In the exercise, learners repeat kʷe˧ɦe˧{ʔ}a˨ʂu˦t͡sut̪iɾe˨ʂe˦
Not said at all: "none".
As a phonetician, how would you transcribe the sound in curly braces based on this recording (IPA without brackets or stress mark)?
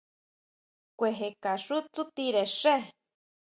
k